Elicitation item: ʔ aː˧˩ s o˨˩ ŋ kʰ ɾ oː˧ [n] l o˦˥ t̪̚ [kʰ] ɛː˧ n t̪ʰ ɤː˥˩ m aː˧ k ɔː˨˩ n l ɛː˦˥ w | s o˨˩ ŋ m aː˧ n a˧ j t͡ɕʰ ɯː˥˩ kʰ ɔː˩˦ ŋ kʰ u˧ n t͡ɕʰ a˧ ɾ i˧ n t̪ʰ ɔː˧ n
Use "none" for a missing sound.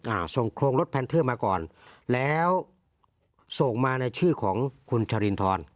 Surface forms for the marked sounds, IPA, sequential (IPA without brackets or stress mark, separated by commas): ŋ, pʰ